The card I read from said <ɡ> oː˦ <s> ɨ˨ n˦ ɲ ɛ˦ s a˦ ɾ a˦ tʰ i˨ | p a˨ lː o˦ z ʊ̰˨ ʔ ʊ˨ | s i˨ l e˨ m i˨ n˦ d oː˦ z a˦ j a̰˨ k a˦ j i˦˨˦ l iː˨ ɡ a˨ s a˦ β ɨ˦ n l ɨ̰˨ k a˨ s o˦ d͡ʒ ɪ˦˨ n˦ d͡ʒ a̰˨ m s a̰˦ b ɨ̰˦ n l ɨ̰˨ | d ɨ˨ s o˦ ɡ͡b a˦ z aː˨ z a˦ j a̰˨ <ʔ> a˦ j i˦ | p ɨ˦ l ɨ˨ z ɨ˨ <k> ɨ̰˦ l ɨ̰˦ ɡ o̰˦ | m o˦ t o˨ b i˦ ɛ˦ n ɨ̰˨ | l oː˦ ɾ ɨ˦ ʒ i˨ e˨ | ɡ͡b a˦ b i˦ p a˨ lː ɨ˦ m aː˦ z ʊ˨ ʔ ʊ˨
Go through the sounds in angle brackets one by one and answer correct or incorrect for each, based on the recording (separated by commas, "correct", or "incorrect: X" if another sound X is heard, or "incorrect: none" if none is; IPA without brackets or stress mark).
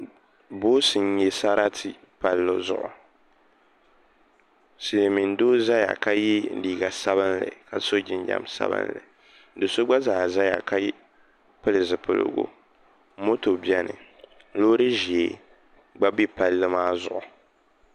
incorrect: b, correct, incorrect: k, incorrect: p